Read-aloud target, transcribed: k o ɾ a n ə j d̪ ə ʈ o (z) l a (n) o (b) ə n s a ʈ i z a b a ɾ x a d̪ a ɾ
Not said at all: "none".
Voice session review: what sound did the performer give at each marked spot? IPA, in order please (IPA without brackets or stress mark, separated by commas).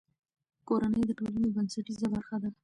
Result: none, n, b